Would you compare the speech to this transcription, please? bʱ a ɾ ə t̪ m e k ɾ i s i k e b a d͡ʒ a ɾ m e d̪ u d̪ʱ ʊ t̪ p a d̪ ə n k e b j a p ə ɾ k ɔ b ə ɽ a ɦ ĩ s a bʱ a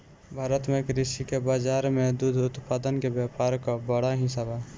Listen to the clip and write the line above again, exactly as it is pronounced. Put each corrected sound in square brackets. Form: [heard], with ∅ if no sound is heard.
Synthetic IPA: bʱ a ɾ ə t̪ m e k ɾ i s i k e b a d͡ʒ a ɾ m e d̪ u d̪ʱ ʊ t̪ p a d̪ ə n k e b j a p [a] ɾ k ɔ b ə ɽ a ɦ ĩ s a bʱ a